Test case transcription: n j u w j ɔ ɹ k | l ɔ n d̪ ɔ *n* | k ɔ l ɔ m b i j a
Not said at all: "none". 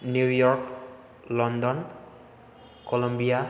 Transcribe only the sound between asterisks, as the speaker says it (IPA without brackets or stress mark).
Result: n